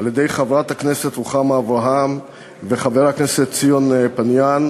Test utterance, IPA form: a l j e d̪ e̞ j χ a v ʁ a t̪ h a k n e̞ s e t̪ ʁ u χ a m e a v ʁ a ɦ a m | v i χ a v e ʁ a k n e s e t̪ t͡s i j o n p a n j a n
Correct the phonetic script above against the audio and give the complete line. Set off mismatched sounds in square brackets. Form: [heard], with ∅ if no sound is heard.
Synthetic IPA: a l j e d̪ e̞ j χ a v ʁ a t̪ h a k n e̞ s e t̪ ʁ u χ a m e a v ʁ a ɦ a m | v [e] χ a v e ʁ a k n e s e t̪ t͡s i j o n p a n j a n